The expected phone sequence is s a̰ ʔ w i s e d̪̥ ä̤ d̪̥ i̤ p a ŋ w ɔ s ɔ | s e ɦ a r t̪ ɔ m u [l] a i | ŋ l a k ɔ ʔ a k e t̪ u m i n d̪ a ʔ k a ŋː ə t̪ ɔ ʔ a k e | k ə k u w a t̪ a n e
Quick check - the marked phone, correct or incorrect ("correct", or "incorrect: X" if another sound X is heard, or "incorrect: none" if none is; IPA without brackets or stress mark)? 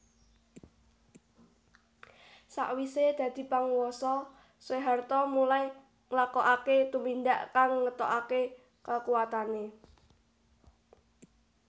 correct